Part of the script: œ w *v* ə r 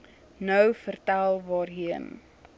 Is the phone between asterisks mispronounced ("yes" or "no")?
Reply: yes